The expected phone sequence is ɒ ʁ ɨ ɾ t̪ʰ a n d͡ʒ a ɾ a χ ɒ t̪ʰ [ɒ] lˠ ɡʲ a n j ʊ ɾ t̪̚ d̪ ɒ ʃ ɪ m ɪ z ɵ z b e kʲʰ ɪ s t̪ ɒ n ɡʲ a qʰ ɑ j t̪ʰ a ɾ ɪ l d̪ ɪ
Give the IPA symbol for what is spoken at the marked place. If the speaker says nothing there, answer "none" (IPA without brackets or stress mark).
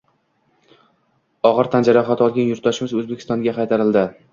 ɒ